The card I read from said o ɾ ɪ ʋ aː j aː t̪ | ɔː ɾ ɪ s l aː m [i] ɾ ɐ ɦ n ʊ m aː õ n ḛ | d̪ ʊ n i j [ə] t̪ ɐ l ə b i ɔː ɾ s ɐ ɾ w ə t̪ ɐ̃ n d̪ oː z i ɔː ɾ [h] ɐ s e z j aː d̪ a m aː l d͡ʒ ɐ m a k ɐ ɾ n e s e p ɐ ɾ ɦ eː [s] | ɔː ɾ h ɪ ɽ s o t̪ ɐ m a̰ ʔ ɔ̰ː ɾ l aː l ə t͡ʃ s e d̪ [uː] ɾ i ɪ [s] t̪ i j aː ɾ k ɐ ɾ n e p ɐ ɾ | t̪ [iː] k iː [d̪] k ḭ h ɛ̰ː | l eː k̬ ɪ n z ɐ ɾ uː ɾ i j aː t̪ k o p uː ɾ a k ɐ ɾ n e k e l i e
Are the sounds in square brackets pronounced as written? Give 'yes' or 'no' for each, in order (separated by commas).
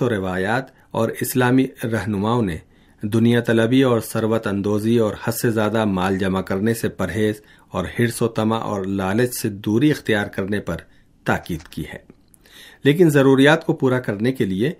yes, no, yes, no, yes, no, no, yes